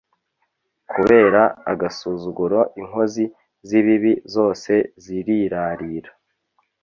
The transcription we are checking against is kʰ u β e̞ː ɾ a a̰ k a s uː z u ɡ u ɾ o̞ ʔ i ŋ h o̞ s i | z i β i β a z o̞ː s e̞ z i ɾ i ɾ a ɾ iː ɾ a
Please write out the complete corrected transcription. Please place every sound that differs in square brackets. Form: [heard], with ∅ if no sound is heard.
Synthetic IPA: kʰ u β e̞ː ɾ a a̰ [ɡ] a s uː z u ɡ u ɾ o̞ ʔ i ŋ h o̞ [z] i | z i β i β [i] z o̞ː s e̞ z i ɾ i ɾ a ɾ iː ɾ a